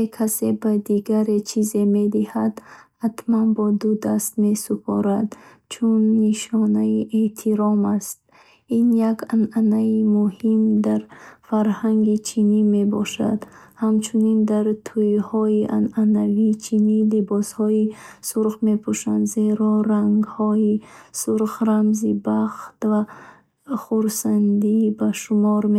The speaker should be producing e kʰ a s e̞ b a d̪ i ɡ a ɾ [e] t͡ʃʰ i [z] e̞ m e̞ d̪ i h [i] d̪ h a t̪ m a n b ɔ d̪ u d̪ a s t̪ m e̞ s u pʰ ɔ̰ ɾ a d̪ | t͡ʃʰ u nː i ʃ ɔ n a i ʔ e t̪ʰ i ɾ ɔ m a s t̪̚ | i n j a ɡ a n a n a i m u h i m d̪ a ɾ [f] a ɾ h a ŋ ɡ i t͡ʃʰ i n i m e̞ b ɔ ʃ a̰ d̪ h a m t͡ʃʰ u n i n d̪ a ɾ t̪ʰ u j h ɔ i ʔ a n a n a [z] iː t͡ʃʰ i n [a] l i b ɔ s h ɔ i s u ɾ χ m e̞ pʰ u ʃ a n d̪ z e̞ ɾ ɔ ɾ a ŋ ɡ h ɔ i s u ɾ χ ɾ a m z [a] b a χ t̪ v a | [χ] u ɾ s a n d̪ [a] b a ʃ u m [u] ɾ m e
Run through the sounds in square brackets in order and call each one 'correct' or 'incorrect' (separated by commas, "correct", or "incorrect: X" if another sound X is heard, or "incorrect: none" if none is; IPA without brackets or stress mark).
correct, correct, incorrect: a, correct, incorrect: v, incorrect: i, incorrect: i, correct, incorrect: i, incorrect: ɔ